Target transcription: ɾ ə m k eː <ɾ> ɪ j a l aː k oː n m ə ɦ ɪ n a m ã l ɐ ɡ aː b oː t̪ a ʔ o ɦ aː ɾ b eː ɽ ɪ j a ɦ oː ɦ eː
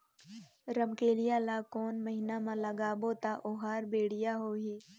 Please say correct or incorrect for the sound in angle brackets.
incorrect